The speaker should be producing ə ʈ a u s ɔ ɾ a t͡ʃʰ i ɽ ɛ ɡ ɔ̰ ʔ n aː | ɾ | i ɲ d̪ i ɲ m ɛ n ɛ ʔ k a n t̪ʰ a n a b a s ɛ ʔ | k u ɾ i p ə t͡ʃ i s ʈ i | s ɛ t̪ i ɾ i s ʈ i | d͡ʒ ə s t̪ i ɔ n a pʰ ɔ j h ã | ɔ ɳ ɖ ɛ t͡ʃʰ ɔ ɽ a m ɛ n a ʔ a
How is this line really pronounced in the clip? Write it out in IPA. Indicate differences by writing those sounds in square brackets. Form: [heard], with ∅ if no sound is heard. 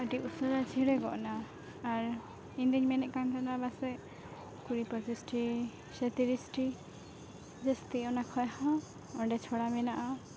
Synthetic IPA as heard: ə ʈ [i] u s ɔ ɾ a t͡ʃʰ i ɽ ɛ ɡ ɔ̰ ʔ n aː | ɾ | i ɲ d̪ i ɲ m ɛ n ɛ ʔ k a n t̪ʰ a n a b a s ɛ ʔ | k u ɾ i p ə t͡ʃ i s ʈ i | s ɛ t̪ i ɾ i s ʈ i | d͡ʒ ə s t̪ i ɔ n a [kʰ] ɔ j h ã | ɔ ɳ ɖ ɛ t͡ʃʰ ɔ ɽ a m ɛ n a ʔ a